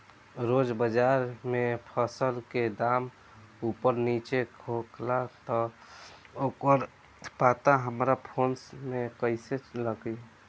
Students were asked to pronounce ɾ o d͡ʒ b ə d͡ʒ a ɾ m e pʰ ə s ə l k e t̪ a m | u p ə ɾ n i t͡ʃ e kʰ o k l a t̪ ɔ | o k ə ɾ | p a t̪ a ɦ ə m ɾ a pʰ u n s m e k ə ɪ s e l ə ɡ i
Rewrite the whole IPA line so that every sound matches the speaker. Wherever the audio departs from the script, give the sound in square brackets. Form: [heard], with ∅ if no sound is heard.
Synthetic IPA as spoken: ɾ o d͡ʒ b ə d͡ʒ a ɾ m e pʰ ə s ə l k e [d̪] a m | u p ə ɾ n i t͡ʃ e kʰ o k l a t̪ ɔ | o k ə ɾ | p a t̪ a ɦ ə m ɾ a pʰ [o] n s m e k ə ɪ s e l ə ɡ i